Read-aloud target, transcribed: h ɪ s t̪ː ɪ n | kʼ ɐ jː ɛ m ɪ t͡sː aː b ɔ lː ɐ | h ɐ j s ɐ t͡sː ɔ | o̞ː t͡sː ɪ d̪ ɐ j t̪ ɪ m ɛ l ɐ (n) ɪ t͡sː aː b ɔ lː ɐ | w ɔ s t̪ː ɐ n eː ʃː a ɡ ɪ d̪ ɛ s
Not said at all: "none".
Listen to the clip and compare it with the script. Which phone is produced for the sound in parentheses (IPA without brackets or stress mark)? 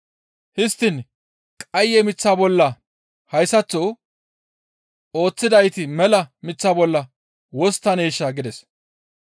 m